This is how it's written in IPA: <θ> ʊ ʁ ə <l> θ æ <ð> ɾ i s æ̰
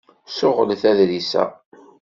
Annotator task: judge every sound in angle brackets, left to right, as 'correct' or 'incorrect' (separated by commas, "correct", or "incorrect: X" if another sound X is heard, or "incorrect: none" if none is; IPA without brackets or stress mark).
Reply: incorrect: s, correct, correct